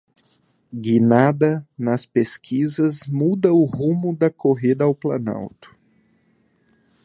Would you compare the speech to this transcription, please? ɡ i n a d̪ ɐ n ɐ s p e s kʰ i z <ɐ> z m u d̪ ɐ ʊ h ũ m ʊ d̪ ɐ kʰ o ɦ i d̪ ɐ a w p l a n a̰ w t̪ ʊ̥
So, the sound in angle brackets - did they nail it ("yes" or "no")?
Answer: yes